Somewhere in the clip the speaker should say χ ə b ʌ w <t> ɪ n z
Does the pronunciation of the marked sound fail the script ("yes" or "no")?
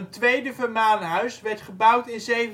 no